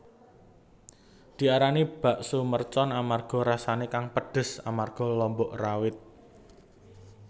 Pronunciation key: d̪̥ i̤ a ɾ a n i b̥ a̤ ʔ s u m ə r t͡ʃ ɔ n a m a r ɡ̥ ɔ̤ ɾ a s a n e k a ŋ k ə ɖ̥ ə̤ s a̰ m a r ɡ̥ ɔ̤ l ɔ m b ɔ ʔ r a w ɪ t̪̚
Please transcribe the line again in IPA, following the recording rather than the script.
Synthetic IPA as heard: d̪̥ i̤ a ɾ a n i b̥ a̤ ʔ s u m ə r t͡ʃ ɔ n a m a r ɡ̥ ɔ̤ ɾ a s a n e k a ŋ p ə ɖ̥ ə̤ s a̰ m a r ɡ̥ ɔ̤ l ɔ m b ɔ ʔ r a w ɪ t̪̚